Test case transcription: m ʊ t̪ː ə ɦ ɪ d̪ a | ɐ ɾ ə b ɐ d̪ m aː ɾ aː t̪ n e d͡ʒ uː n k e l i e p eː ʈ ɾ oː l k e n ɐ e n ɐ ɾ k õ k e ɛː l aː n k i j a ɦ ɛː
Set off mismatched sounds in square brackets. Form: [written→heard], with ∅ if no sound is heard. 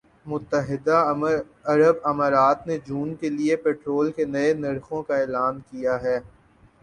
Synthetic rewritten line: m ʊ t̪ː ə ɦ ɪ d̪ a | ɐ ɾ ə b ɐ [d̪→∅] m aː ɾ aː t̪ n e d͡ʒ uː n k e l i e p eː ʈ ɾ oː l k e n ɐ e n ɐ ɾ [k→x] õ k [e→a] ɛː l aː n k i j a ɦ ɛː